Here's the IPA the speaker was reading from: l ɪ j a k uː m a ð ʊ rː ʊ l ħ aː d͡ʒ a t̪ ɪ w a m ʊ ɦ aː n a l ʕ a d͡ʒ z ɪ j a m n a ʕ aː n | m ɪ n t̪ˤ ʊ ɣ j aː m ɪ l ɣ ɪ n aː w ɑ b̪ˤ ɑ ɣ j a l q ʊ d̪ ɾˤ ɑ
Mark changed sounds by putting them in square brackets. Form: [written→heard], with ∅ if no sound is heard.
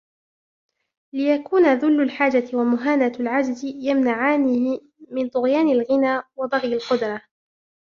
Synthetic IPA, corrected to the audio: l ɪ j a k uː [m→n] a ð ʊ [rː→lː] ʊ l ħ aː d͡ʒ a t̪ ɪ w a m ʊ ɦ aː n a l ʕ a d͡ʒ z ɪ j a m n a ʕ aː n | m ɪ n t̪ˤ ʊ ɣ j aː [m→n] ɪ l ɣ ɪ n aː w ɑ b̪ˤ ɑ ɣ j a l q ʊ d̪ ɾˤ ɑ

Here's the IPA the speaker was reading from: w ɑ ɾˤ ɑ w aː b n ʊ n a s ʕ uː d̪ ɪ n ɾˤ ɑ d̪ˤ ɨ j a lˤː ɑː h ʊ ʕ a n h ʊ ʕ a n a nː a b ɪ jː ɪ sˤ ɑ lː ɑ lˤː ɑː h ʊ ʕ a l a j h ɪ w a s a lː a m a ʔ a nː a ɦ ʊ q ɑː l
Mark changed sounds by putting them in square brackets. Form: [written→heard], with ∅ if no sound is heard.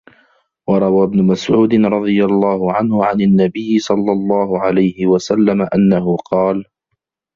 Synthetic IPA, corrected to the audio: w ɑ ɾˤ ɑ w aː b n ʊ [n→m] a s ʕ uː d̪ ɪ n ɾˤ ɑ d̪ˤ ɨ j a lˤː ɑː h ʊ ʕ a n h ʊ ʕ a n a nː a b ɪ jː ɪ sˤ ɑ lː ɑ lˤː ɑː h ʊ ʕ a l a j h ɪ w a s a lː a m a ʔ a nː a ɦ ʊ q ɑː l

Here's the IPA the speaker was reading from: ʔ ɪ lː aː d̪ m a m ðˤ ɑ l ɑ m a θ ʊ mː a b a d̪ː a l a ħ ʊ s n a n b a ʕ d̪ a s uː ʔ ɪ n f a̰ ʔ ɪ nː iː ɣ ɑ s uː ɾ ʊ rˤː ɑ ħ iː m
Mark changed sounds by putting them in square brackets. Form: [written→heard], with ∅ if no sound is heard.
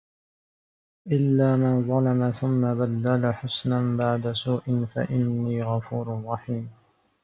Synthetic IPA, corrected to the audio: ʔ ɪ lː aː [d̪→∅] m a [m→n] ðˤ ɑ l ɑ m a θ ʊ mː a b a d̪ː a l a ħ ʊ s n a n b a ʕ d̪ a s uː ʔ ɪ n f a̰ ʔ ɪ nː iː ɣ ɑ [s→f] uː ɾ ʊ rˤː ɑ ħ iː m

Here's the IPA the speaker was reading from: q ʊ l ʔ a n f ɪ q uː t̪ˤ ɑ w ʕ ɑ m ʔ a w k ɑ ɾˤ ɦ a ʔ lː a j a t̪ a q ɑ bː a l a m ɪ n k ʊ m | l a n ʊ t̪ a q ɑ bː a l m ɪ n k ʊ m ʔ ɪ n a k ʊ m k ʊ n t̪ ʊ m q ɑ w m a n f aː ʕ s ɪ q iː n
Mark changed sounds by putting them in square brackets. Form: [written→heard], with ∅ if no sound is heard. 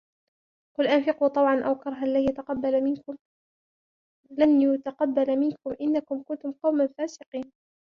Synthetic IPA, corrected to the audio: q ʊ l ʔ a n f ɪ q uː t̪ˤ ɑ w ʕ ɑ [m→n] ʔ a w k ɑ ɾˤ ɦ a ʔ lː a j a t̪ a q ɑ bː a l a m ɪ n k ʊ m | l a n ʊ t̪ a q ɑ bː a l m ɪ n k ʊ m ʔ ɪ [n→nː] a k ʊ m k ʊ n t̪ ʊ m q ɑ w m a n f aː [ʕ→∅] s ɪ q iː n

